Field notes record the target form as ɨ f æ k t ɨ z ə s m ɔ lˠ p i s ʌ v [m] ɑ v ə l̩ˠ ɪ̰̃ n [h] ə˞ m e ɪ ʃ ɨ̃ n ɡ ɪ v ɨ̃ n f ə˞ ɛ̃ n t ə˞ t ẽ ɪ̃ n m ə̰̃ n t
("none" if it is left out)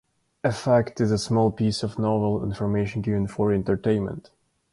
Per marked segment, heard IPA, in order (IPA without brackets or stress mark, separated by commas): n, f